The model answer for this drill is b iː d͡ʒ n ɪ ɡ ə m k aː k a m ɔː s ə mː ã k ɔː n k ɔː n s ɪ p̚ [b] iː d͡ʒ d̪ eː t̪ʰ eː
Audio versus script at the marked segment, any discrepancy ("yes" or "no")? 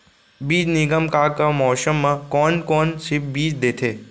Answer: no